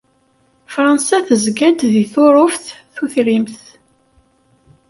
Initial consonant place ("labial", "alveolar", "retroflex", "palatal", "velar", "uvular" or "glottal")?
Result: labial